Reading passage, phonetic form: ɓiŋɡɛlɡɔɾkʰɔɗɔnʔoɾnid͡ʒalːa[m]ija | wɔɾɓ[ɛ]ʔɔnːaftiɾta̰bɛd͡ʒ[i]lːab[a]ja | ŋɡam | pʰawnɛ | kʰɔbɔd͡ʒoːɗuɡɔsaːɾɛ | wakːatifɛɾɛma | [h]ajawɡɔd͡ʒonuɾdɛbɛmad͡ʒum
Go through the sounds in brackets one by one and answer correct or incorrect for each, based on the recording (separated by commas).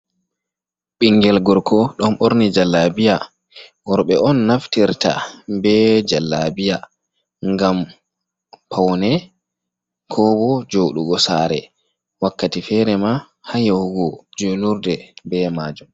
incorrect, correct, incorrect, incorrect, correct